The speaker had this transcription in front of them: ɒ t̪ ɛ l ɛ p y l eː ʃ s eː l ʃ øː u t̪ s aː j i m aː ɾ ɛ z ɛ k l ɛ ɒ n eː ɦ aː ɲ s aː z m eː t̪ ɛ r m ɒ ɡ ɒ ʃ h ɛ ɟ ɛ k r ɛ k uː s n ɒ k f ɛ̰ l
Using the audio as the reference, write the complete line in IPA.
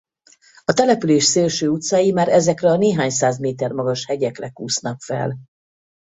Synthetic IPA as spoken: ɒ t̪ ɛ l ɛ p y l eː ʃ s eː l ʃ øː u t̪ s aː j i m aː ɾ ɛ z ɛ k r ɛ ɒ n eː ɦ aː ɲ s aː z m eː t̪ ɛ r m ɒ ɡ ɒ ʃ h ɛ ɟ ɛ k r ɛ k uː s n ɒ k f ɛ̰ l